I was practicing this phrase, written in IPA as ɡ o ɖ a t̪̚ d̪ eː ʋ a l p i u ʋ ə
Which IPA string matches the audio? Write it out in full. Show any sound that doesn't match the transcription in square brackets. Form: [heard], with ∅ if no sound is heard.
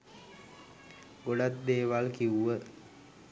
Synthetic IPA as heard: ɡ o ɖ a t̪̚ d̪ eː ʋ a l [k] i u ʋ ə